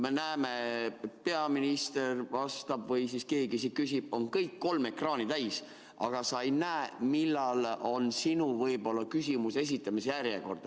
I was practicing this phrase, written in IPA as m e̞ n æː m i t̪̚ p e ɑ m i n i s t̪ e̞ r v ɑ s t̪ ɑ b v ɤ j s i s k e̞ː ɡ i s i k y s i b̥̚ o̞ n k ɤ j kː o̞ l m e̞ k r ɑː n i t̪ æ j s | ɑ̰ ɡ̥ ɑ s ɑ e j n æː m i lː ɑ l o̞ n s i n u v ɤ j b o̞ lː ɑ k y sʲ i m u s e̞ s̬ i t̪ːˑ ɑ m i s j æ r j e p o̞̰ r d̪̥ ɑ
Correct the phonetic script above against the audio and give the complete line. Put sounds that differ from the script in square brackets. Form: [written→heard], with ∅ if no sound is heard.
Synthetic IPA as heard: m e̞ n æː m [i→e] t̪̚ p e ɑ m i n i s t̪ e̞ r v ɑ s t̪ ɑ b v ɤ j s i s k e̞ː ɡ i s i k y s i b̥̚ o̞ n k ɤ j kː o̞ l m e̞ k r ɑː n i t̪ æ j s | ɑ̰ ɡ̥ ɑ s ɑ e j n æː m i lː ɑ l o̞ n s i n u v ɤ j b o̞ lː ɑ k y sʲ i m u s e̞ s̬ i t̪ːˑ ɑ m i s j æ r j e [p→k] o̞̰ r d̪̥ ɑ